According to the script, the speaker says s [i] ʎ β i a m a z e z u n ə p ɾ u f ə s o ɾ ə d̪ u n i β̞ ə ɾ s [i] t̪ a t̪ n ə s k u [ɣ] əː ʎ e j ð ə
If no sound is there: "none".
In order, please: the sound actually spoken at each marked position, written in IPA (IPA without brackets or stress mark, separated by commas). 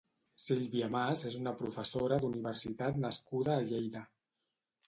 i, i, ð